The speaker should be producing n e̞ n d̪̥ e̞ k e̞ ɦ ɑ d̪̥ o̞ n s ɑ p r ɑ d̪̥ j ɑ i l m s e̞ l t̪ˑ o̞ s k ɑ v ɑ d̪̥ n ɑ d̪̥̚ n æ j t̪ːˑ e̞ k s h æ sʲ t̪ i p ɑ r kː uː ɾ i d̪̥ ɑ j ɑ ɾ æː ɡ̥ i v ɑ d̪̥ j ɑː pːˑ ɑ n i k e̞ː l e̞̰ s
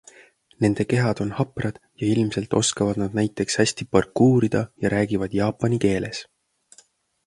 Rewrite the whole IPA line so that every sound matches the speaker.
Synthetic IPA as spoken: n e̞ n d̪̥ e̞ k e̞ ɦ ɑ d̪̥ o̞ n h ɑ p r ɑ d̪̥ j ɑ i l m s e̞ l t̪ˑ o̞ s k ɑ v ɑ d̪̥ n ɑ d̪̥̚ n æ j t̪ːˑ e̞ k s h æ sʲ t̪ i p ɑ r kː uː ɾ i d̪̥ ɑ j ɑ ɾ æː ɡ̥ i v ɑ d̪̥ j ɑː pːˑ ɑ n i k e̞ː l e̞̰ s